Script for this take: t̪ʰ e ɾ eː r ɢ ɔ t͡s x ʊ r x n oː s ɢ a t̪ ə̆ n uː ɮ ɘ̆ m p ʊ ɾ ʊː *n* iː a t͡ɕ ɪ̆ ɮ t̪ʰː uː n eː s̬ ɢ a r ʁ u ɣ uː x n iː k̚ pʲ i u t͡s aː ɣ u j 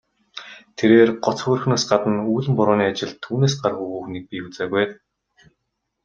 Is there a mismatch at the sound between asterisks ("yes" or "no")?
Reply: no